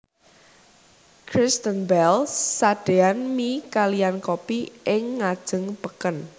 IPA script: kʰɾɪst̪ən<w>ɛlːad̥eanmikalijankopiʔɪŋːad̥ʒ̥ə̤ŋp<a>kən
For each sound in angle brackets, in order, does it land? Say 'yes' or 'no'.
no, no

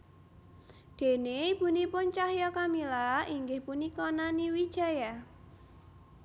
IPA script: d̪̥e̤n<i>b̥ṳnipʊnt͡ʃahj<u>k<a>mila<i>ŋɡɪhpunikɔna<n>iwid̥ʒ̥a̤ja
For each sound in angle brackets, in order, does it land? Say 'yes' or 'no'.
no, no, yes, yes, yes

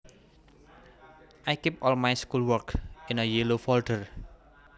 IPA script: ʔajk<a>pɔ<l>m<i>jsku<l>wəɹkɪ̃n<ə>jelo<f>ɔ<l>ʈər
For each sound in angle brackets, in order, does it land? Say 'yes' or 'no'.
no, yes, no, yes, yes, yes, yes

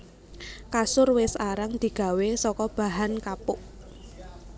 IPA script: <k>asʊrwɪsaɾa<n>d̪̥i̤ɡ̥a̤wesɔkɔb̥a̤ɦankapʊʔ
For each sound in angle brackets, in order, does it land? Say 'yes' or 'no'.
yes, no

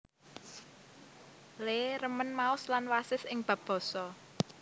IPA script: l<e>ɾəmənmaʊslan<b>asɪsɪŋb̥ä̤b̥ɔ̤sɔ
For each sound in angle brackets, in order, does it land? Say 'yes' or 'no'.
yes, no

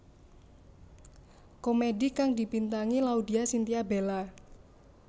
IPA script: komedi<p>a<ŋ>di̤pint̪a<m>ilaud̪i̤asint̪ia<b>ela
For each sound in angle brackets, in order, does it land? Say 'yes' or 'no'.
no, yes, no, yes

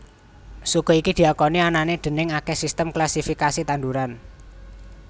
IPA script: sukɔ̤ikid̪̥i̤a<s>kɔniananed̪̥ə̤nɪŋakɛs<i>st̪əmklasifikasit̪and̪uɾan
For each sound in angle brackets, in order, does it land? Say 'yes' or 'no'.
no, yes

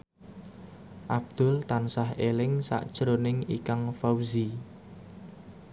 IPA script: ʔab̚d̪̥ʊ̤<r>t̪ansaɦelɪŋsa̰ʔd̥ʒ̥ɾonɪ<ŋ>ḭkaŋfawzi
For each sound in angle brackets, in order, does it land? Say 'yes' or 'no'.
no, yes

